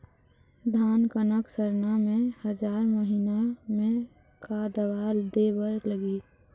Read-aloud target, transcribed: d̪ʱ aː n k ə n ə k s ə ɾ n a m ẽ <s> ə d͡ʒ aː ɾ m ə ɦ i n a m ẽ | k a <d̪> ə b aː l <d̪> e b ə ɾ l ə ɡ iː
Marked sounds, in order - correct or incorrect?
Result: incorrect, correct, correct

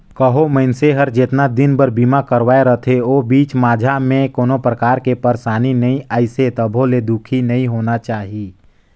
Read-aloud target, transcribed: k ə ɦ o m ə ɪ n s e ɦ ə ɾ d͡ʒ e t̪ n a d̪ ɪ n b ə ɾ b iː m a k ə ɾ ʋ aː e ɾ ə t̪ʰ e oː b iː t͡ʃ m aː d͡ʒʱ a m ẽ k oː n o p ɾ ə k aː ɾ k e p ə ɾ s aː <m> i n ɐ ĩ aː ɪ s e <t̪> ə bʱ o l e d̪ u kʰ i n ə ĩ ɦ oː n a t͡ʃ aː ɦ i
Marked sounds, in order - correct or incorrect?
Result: incorrect, correct

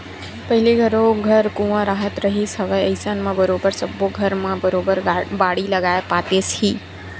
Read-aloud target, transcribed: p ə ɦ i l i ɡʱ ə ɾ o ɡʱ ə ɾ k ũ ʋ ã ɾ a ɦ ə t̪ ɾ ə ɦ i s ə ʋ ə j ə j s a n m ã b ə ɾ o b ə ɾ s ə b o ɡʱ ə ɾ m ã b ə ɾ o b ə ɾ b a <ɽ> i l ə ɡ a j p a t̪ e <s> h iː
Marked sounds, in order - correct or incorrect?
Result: correct, correct

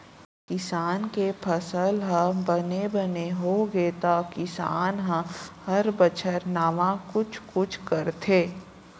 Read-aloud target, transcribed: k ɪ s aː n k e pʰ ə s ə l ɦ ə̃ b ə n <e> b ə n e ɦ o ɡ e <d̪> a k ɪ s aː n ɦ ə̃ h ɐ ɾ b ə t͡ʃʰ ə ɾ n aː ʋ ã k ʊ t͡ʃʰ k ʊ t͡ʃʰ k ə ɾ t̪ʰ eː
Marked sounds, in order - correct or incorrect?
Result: correct, incorrect

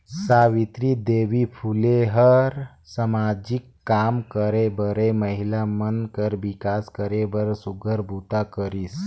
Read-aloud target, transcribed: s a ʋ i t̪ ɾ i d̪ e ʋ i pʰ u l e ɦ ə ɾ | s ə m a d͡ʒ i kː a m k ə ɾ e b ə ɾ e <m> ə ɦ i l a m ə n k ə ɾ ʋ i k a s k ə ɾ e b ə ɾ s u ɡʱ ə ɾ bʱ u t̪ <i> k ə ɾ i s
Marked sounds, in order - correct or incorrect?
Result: correct, incorrect

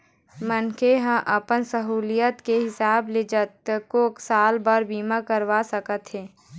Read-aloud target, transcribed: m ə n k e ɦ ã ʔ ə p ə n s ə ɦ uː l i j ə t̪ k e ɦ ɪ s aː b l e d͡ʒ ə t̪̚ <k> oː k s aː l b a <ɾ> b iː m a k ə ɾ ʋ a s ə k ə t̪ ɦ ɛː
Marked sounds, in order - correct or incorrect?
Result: correct, correct

